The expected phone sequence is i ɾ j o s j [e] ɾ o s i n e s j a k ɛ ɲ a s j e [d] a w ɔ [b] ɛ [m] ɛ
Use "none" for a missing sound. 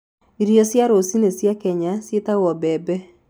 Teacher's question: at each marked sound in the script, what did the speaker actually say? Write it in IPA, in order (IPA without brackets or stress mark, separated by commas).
a, t, b, b